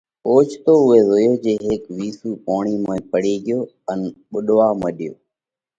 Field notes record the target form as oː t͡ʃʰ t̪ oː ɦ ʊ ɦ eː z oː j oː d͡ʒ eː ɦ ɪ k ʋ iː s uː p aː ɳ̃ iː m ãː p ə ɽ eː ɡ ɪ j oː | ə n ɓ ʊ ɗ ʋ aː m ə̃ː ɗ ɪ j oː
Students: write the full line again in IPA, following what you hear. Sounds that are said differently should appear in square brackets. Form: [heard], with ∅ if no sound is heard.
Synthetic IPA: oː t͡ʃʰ t̪ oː [∅] ʊ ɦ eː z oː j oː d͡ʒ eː ɦ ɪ k ʋ iː s uː p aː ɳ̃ iː m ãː p ə ɽ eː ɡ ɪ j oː | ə n ɓ ʊ ɗ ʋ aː m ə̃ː ɗ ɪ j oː